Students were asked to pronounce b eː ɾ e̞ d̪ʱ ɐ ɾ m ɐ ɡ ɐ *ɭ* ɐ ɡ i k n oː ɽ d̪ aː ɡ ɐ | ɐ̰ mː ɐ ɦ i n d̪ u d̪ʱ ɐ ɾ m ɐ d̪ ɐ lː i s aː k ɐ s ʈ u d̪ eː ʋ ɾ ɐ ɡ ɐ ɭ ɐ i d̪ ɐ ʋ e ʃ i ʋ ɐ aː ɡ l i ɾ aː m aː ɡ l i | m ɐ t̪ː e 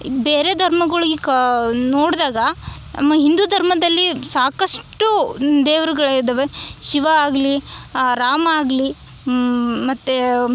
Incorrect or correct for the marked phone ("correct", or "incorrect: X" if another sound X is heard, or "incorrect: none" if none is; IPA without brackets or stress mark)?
correct